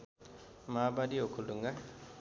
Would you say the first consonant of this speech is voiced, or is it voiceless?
voiced